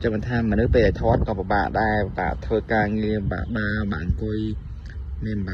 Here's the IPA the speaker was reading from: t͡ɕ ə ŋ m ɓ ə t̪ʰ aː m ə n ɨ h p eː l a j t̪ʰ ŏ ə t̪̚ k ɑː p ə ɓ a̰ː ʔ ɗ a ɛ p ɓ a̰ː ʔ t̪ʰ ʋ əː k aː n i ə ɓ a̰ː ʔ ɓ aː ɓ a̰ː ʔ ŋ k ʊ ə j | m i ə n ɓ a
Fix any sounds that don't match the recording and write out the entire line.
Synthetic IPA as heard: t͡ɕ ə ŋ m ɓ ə t̪ʰ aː m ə n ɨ h p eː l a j t̪ʰ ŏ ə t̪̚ k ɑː p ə ɓ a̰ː ʔ ɗ a ɛ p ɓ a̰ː ʔ t̪ʰ ʋ əː k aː ŋ i ə ɓ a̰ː ʔ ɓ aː ɓ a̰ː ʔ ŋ k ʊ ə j | m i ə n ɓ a